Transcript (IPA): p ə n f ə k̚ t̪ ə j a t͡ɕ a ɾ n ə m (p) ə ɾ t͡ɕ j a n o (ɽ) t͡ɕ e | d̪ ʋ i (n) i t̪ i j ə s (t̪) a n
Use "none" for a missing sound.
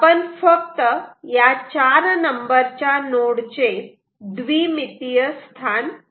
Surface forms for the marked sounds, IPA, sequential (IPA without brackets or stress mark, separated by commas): b, ɽ, m, t̪ʰ